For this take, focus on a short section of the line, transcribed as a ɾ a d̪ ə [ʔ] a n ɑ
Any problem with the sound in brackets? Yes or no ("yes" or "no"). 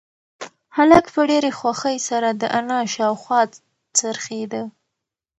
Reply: no